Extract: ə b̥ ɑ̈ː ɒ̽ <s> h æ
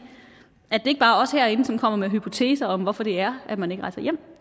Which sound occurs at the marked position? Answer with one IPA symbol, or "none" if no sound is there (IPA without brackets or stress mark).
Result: s